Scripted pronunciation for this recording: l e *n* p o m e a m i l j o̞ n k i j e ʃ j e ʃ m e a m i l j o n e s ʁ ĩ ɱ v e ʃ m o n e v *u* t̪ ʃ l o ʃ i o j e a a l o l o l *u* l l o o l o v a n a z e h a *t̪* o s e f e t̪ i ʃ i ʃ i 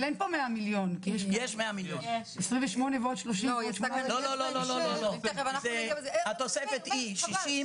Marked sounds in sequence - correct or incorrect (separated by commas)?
correct, incorrect, incorrect, correct